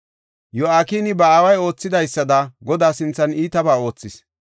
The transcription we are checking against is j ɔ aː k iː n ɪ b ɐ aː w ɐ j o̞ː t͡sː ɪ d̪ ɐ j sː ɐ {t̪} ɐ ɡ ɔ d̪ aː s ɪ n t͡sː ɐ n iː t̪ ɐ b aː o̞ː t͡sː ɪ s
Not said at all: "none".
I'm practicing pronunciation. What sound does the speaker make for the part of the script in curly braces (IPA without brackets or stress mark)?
d̪